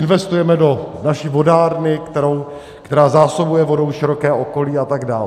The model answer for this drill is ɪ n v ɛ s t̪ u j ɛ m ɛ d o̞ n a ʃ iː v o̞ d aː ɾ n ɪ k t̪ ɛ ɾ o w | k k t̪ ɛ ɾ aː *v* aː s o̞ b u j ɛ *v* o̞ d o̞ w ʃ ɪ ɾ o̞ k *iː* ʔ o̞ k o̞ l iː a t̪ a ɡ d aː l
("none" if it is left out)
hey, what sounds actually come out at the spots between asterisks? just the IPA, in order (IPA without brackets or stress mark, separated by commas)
z, v, ɛː